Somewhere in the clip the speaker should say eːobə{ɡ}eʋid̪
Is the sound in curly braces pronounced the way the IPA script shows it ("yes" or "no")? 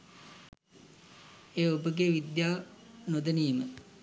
yes